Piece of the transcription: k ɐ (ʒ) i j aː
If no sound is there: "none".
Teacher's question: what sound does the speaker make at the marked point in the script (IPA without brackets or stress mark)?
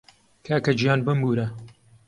d͡ʒ